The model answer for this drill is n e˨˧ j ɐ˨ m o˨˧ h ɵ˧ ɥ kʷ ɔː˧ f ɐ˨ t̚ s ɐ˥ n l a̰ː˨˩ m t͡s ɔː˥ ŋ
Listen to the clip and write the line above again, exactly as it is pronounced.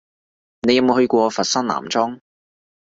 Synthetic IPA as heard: n e˨˧ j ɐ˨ m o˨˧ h ɵ˧ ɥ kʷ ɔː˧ f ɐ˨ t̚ s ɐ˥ n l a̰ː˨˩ m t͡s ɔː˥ ŋ